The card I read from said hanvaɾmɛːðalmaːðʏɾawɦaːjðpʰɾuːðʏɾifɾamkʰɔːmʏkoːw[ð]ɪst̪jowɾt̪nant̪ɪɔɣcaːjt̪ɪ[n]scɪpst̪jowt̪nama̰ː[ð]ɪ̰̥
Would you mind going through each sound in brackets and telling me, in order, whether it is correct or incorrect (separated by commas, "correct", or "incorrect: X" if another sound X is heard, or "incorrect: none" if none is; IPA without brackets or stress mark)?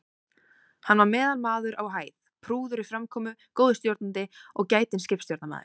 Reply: correct, correct, correct